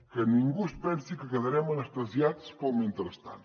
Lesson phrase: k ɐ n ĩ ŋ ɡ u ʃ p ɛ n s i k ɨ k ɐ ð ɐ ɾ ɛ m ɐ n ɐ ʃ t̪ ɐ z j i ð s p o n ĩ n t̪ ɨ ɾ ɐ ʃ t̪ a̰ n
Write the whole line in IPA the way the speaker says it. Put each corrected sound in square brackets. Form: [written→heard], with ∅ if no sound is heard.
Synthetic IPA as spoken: k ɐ n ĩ ŋ ɡ u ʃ p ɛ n s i k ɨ k ɐ ð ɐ ɾ ɛ m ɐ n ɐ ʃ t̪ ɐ z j [i→a] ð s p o [n→m] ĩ n t̪ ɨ ɾ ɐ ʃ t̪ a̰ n